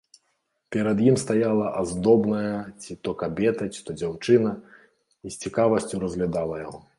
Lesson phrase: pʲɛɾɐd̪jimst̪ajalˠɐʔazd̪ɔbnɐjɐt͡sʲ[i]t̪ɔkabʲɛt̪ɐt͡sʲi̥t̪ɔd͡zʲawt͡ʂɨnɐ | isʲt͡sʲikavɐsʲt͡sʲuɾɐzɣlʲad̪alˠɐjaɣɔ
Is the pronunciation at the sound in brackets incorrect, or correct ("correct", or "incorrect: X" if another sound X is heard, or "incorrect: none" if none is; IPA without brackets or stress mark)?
correct